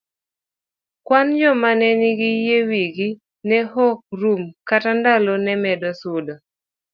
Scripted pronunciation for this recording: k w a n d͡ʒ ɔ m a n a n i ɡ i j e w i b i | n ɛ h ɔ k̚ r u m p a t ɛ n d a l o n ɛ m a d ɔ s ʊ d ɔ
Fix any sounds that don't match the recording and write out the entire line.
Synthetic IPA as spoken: k w a n d͡ʒ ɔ m a n ɛ n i ɡ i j e w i ɡ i | n ɛ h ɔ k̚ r u m k a t a n d a l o n ɛ m ɛ d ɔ s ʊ d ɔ